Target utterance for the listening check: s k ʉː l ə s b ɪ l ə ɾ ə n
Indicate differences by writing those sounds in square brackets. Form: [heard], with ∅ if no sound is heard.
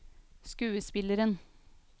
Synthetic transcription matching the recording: s k ʉː [∅] ə s [p] ɪ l ə ɾ ə n